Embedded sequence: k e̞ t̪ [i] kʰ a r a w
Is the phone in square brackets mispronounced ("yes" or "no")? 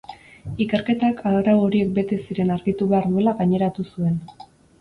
yes